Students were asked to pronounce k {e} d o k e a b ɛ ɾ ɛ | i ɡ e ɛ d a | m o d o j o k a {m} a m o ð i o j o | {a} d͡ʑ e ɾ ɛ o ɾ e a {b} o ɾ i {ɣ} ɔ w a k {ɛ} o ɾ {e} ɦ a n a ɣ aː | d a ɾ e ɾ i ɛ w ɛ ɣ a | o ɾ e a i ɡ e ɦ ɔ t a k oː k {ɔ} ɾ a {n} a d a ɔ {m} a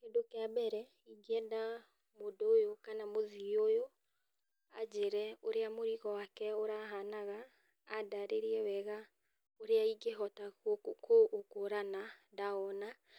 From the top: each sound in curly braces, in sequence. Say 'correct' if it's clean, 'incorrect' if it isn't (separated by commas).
correct, incorrect, correct, incorrect, correct, correct, incorrect, incorrect, correct, incorrect